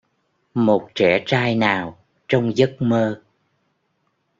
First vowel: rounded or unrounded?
rounded